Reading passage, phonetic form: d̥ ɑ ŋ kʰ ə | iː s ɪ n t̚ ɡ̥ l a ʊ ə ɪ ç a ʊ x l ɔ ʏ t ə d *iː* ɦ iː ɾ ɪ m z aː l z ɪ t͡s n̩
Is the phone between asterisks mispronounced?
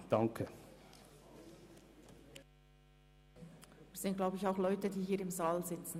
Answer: no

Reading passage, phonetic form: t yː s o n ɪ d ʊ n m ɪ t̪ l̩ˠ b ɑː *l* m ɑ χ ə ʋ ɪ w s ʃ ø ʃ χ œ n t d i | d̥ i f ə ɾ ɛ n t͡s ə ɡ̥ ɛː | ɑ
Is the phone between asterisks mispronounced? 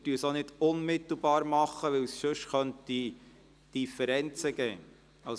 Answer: yes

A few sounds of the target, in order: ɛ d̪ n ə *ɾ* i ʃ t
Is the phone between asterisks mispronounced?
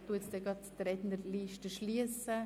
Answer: yes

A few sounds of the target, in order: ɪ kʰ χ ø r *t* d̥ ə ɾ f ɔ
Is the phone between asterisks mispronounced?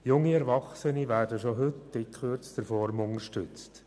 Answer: yes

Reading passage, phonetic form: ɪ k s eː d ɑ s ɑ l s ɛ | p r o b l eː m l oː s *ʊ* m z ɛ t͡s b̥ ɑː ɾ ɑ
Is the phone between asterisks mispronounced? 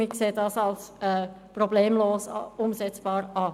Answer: no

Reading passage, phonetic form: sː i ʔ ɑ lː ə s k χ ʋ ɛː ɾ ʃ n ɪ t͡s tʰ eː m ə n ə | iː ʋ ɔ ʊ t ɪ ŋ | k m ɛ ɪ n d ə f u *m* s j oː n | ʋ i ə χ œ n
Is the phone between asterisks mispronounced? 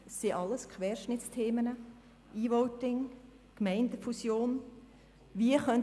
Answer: yes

